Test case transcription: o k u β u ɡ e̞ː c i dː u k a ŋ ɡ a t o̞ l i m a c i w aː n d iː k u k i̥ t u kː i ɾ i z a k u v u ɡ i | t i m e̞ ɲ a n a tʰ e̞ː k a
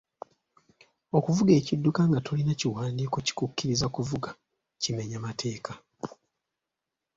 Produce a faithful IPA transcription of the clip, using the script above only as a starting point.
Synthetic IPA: o k u v u ɡ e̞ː c i dː u k a ŋ ɡ a t o̞ l i n a c i w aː n d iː k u c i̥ k u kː i ɾ i z a k u v u ɡ a | c i m e̞ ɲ a m a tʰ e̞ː k a